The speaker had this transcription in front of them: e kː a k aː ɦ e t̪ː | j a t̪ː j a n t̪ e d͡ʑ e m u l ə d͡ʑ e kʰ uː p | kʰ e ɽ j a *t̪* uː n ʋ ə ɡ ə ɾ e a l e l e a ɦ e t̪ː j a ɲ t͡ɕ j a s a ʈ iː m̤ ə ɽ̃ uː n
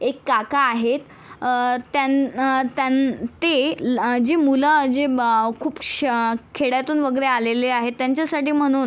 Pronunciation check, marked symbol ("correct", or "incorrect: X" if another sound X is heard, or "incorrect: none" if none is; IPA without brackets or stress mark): correct